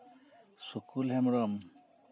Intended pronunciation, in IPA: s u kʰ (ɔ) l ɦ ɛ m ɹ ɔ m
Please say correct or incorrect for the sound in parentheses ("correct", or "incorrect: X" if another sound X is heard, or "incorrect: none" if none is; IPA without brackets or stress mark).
incorrect: u